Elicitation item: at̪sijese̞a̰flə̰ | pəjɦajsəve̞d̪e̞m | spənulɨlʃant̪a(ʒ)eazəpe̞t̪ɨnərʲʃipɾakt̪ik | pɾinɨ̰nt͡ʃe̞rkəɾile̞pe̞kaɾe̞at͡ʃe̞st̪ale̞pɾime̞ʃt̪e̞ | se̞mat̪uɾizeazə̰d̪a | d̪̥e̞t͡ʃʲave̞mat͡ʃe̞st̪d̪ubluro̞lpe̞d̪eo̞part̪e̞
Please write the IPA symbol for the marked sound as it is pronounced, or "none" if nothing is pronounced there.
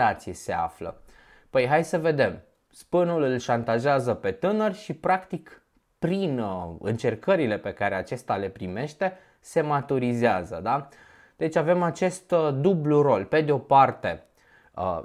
ʒ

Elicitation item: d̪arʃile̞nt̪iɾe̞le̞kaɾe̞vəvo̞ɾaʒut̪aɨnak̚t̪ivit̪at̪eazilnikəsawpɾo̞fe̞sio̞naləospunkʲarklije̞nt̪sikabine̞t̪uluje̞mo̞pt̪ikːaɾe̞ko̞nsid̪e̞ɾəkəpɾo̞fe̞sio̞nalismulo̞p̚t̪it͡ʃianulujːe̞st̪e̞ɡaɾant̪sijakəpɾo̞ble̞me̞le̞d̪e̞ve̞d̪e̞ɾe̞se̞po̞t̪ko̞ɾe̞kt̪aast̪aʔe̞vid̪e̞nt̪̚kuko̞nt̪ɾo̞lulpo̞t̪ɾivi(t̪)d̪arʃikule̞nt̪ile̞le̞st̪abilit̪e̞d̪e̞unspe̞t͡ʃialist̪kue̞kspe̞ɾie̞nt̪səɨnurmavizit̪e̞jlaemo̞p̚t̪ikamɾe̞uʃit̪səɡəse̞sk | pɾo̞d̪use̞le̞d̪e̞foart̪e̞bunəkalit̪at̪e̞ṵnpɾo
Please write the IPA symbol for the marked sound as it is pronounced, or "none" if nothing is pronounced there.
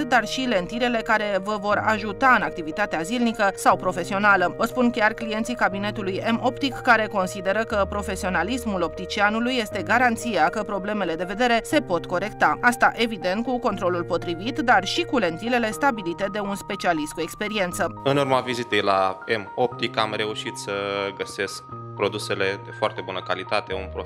t̪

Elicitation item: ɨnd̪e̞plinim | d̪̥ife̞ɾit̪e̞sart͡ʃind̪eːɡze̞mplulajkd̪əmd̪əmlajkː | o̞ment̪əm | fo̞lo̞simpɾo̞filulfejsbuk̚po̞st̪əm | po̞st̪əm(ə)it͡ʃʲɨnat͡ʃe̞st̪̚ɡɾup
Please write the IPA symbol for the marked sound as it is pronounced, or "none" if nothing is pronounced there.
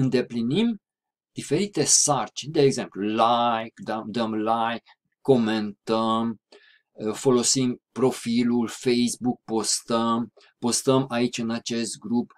a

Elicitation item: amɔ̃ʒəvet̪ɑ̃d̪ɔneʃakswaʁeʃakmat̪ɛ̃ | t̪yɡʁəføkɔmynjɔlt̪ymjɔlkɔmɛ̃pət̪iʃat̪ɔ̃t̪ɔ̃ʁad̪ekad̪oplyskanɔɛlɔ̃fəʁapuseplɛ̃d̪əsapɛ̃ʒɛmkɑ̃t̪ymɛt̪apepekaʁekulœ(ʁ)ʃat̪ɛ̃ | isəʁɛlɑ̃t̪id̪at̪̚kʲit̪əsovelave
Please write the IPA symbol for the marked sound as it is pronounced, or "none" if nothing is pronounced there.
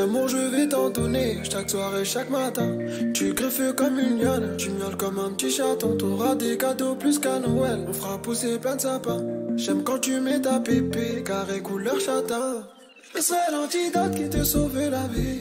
ʁ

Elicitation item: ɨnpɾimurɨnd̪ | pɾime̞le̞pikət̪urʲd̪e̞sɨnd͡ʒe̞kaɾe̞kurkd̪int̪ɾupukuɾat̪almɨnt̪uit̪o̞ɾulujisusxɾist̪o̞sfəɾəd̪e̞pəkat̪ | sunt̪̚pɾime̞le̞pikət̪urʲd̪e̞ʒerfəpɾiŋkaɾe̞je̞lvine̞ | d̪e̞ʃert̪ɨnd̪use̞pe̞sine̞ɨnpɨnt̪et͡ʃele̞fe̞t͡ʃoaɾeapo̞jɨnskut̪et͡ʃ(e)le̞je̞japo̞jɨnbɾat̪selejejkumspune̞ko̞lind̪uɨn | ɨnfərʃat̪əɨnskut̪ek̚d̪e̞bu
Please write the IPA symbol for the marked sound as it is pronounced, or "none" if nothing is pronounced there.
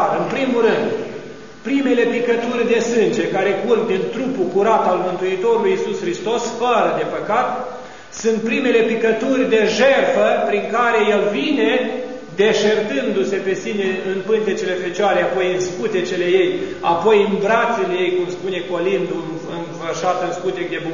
e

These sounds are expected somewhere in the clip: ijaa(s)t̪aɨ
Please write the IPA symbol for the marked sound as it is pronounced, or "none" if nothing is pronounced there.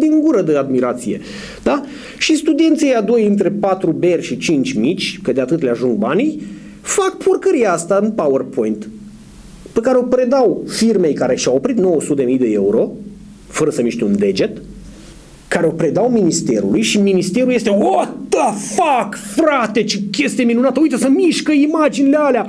s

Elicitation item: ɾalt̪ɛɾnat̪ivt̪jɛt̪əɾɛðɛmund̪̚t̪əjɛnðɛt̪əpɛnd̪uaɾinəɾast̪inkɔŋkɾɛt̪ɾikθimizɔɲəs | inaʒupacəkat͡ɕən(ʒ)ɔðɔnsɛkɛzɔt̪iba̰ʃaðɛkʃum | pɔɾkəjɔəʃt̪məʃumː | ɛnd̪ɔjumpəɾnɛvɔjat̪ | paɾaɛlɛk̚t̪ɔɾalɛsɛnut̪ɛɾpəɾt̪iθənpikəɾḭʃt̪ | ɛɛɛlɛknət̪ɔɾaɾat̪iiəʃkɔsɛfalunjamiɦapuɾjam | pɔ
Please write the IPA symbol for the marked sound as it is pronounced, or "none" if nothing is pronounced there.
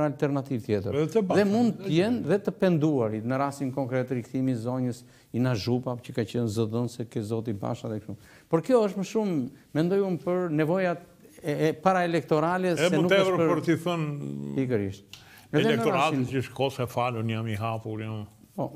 z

